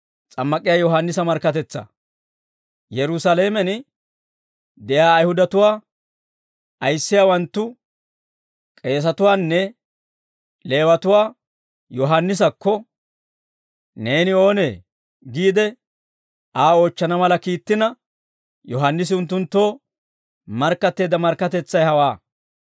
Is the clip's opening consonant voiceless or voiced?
voiceless